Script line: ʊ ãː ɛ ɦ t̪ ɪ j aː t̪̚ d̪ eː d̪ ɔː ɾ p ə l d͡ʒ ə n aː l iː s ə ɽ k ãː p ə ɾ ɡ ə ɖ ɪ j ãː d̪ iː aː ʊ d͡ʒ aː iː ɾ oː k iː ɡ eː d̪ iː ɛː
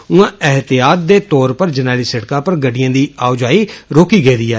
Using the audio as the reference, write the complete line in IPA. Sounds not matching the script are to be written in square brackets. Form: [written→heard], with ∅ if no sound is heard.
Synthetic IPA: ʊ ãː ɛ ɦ t̪ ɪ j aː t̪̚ d̪ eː [d̪→t̪] ɔː ɾ p ə [l→ɾ] d͡ʒ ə n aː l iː s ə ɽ k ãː p ə ɾ ɡ ə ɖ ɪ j ãː d̪ iː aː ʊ d͡ʒ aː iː ɾ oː k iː ɡ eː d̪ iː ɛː